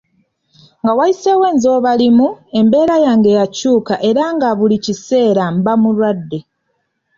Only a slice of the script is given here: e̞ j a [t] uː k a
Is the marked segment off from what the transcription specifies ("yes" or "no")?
yes